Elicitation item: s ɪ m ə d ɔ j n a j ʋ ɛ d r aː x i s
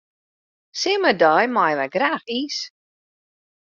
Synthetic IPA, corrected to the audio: s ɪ m ə d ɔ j m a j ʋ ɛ ɡ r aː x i s